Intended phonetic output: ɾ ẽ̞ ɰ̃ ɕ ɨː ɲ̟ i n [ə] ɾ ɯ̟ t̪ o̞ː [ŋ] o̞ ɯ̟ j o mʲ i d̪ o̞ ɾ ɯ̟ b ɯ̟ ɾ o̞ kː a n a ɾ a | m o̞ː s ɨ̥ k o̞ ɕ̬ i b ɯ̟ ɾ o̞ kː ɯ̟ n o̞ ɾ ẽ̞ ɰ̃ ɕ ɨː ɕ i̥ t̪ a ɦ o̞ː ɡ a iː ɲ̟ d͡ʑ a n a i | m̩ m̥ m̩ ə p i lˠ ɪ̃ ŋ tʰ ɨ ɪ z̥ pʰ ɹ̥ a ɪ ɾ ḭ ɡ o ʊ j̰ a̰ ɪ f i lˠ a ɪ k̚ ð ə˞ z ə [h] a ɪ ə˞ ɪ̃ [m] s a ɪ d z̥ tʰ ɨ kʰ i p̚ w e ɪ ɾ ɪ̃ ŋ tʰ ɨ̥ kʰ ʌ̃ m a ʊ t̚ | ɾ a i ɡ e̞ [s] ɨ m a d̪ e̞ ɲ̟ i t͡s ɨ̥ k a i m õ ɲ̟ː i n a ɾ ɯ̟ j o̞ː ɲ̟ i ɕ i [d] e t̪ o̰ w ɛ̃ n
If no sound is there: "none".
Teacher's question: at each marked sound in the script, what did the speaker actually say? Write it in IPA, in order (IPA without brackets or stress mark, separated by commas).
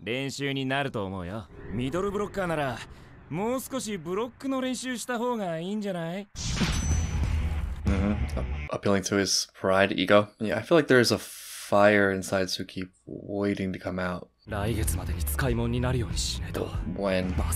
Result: a, m, f, n, t͡s, n